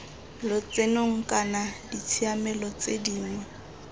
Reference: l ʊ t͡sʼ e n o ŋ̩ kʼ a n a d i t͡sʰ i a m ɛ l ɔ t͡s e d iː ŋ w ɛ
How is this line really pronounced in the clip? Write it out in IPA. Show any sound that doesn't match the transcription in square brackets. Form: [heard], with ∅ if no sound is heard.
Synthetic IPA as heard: l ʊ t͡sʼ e n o ŋ̩ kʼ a n a d i t͡sʰ i a m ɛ l ɔ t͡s e d iː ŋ w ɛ